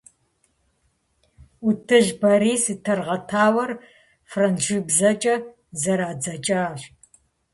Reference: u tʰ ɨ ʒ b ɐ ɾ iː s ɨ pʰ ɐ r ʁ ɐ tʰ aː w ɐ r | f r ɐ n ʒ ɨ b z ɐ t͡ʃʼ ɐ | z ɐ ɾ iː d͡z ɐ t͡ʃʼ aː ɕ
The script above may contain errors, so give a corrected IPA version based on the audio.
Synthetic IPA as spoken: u tʰ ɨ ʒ b ɐ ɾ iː s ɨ tʰ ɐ r ʁ ɐ tʰ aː w ɐ r | f r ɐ n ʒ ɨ b z ɐ t͡ʃʼ ɐ | z ɐ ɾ aː d͡z ɐ t͡ʃʼ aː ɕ